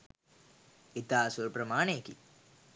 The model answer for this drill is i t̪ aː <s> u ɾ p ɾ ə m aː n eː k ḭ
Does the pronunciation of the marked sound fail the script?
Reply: no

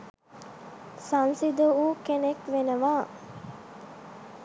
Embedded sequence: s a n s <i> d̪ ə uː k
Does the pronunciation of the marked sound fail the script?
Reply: no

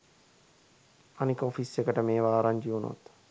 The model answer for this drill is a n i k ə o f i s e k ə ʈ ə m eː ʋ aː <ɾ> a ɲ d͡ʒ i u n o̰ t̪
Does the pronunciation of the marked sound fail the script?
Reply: no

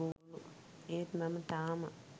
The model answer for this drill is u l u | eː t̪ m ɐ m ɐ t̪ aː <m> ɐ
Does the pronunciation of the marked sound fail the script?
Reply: no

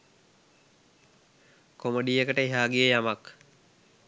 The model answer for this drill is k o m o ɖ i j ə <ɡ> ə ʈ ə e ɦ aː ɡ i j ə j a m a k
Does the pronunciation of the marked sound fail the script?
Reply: yes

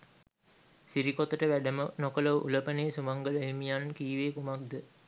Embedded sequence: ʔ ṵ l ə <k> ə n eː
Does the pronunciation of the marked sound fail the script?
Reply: yes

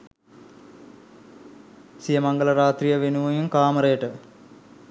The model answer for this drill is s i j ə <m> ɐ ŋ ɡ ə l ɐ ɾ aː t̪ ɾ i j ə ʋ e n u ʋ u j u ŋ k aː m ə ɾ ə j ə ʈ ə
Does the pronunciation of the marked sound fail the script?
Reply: no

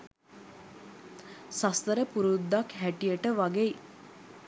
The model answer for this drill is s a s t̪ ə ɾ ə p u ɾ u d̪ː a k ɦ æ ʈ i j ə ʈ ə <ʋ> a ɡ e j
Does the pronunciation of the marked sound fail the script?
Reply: no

